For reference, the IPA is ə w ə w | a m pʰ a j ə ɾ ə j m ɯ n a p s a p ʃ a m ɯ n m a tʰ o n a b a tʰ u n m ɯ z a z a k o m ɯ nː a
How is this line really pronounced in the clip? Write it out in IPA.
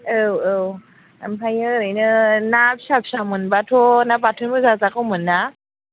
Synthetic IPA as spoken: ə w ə w | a m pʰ a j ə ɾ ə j n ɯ n a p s a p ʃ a m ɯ n b a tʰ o n a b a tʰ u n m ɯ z a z a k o m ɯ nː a